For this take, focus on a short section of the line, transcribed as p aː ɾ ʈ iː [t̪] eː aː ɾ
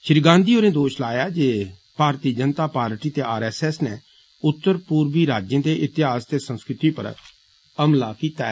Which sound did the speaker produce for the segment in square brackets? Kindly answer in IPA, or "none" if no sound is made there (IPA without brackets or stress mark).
t̪